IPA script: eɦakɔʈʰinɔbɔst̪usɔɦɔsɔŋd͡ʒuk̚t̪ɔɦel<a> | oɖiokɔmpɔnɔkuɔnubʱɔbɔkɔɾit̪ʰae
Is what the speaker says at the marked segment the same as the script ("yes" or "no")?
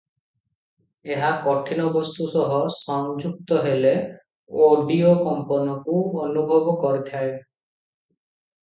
no